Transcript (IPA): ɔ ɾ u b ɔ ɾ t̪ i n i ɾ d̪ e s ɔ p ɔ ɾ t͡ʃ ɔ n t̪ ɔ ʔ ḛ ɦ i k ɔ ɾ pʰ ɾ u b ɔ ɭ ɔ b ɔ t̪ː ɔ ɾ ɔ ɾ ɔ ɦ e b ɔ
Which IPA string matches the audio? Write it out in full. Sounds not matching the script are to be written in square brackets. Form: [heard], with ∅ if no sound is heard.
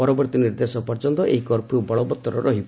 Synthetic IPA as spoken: ɔ ɾ [ɔ] b ɔ ɾ t̪ i n i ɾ d̪ e s ɔ p ɔ ɾ t͡ʃ ɔ n t̪ ɔ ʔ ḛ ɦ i k ɔ ɾ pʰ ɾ u b ɔ ɭ ɔ b ɔ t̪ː ɔ ɾ ɔ ɾ ɔ ɦ [i] b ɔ